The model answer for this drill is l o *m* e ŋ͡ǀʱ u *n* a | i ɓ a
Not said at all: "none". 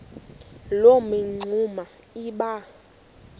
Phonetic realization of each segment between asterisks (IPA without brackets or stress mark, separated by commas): m, m